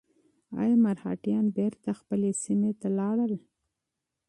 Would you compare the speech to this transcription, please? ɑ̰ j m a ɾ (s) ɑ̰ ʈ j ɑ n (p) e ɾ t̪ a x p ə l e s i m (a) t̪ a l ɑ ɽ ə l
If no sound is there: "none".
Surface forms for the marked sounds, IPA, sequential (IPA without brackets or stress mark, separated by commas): h, b, e